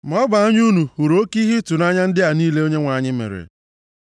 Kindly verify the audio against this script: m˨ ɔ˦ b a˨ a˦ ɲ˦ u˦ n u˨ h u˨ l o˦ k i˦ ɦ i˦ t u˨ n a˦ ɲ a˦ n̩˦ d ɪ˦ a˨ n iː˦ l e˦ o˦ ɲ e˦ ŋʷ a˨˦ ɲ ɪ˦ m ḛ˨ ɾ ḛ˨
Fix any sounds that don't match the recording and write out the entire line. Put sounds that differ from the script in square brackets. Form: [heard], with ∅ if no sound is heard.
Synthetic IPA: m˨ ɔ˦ b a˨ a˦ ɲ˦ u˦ n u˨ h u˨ [ɾ] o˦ k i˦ ɦ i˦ t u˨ n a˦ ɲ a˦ n̩˦ d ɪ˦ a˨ n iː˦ l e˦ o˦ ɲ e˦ ŋʷ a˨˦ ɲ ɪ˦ m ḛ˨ ɾ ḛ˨